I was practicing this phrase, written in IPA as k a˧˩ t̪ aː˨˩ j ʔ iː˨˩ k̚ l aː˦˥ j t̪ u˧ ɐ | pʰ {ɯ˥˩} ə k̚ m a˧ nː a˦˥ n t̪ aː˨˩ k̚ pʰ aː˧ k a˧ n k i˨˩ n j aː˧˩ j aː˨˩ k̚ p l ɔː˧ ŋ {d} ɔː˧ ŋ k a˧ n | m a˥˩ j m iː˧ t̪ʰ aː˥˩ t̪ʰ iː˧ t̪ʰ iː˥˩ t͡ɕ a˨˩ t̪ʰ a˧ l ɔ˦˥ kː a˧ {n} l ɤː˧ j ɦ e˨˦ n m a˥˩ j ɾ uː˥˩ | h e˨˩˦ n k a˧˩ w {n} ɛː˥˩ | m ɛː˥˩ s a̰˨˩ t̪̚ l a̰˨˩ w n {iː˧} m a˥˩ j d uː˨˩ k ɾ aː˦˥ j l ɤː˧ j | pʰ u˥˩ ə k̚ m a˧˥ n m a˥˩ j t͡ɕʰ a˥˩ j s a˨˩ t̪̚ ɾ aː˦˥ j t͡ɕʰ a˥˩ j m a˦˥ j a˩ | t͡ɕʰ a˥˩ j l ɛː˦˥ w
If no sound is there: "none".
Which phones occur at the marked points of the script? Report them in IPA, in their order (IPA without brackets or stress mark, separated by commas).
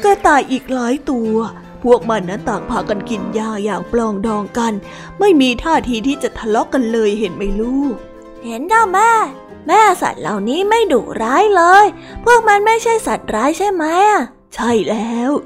u˥˩, d, n, m, iː˦˥